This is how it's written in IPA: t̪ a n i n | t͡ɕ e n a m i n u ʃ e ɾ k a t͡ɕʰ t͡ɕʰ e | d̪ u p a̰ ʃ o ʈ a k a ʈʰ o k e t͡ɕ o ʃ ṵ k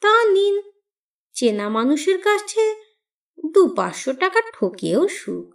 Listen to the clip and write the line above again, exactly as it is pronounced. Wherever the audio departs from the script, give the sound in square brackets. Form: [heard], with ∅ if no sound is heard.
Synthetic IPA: t̪ a n i n | t͡ɕ e n a m [a] n u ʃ e ɾ k a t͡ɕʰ t͡ɕʰ e | d̪ u p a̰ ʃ o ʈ a k a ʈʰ o k e [∅] o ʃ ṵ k